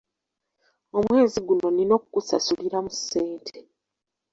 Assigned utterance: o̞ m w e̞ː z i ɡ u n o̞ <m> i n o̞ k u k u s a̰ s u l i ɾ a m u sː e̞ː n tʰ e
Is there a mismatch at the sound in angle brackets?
yes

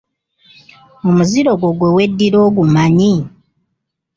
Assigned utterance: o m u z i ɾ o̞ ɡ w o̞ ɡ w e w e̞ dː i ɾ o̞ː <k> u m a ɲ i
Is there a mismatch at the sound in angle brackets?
yes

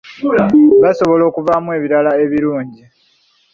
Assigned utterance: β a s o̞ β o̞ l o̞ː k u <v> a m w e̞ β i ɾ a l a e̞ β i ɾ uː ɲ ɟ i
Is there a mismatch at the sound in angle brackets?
no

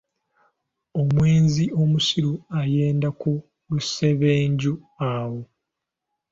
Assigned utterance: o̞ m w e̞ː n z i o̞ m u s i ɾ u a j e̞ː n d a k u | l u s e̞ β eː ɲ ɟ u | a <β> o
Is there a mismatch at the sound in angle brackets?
yes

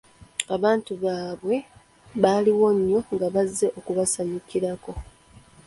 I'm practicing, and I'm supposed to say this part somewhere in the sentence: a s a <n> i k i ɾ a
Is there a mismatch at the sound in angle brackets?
yes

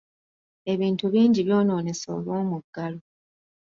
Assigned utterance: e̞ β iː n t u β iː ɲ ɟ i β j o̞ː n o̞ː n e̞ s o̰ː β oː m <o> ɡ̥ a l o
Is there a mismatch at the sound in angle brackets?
yes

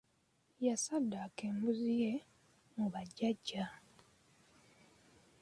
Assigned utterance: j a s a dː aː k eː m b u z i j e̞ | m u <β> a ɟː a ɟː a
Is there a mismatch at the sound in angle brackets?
no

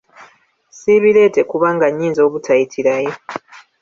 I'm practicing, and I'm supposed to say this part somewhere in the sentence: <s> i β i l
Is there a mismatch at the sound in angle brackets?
no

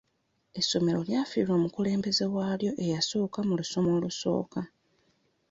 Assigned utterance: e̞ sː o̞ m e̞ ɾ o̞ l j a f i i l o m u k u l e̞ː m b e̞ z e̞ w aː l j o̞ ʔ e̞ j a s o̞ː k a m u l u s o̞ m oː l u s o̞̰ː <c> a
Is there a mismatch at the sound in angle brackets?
yes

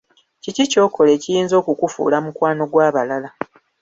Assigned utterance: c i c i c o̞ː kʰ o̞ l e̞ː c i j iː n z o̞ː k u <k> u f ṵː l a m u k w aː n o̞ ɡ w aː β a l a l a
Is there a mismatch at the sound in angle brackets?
no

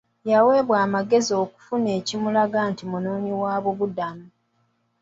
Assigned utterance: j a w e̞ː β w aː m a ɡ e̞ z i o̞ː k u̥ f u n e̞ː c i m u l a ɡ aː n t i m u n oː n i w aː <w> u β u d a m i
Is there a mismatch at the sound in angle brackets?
yes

